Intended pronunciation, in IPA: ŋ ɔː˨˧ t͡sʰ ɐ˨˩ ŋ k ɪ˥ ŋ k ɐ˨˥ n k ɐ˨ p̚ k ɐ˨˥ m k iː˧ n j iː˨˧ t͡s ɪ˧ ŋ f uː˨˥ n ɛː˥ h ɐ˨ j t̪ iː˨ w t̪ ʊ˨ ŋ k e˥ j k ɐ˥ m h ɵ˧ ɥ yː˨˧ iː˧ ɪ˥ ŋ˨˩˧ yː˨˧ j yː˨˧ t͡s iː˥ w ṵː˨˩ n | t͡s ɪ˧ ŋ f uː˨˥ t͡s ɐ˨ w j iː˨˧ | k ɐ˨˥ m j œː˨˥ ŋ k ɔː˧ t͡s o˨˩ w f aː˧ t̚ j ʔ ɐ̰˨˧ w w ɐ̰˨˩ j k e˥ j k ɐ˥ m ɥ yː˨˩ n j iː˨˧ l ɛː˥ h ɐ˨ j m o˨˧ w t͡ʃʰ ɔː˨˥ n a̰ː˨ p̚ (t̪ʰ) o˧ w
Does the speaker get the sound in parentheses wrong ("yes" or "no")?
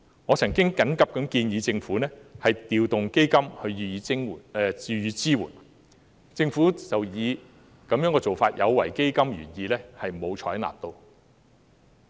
yes